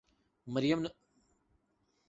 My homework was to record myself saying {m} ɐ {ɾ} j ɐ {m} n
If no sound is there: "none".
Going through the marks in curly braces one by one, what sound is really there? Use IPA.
m, ɾ, m

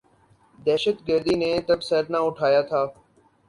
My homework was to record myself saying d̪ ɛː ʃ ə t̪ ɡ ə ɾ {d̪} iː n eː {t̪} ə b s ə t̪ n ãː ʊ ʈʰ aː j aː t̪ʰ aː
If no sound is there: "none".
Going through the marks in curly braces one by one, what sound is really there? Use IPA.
d̪, t̪

